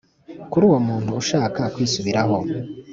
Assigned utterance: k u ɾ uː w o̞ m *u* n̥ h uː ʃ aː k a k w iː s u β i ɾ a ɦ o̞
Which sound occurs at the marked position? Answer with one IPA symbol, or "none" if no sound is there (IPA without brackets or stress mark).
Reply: uː